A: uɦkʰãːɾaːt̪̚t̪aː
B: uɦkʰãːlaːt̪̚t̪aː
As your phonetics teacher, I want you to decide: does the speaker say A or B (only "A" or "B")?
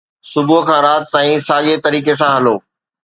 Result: A